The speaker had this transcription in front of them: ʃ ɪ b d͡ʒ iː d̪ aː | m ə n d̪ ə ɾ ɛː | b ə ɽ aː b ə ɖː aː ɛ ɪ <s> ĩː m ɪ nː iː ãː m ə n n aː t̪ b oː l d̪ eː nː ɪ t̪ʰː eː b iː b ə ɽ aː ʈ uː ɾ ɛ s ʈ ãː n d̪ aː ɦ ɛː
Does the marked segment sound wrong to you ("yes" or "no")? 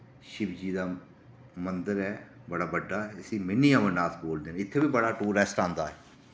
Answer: no